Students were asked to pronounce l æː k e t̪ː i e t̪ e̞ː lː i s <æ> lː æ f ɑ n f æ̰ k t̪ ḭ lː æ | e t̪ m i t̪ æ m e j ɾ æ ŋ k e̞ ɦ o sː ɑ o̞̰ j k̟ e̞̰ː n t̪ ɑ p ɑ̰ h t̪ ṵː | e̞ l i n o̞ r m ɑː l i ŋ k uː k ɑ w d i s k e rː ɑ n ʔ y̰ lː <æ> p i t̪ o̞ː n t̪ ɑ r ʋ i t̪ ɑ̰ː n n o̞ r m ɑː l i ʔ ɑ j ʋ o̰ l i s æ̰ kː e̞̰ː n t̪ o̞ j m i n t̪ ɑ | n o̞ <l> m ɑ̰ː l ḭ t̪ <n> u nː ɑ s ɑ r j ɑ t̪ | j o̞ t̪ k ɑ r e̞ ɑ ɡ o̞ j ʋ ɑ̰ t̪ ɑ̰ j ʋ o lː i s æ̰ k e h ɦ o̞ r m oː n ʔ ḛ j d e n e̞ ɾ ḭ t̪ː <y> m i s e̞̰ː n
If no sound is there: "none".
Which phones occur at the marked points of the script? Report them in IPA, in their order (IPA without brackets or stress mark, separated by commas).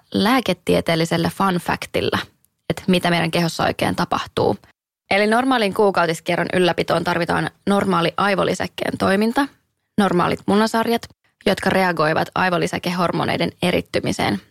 e, æ, r, m, y